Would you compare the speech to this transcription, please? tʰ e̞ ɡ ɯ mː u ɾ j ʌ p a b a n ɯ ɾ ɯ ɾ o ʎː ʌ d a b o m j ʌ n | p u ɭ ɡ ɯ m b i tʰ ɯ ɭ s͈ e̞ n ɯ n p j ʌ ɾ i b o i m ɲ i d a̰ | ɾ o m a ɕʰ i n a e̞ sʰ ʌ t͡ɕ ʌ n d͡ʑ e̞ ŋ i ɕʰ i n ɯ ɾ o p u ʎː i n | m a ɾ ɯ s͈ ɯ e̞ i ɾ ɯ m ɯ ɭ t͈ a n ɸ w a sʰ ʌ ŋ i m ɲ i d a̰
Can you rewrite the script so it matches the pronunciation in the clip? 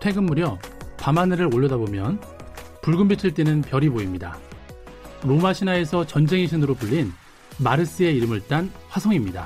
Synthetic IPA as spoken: tʰ e̞ ɡ ɯ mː u ɾ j ʌ p a m a n ɯ ɾ ɯ ɾ o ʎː ʌ d a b o m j ʌ n | p u ɭ ɡ ɯ m b i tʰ ɯ ɭ t͈ e̞ n ɯ n p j ʌ ɾ i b o i m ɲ i d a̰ | ɾ o m a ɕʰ i n a e̞ sʰ ʌ t͡ɕ ʌ n d͡ʑ e̞ ŋ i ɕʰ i n ɯ ɾ o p u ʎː i n | m a ɾ ɯ s͈ ɯ e̞ i ɾ ɯ m ɯ ɭ t͈ a n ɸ w a sʰ ʌ ŋ i m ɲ i d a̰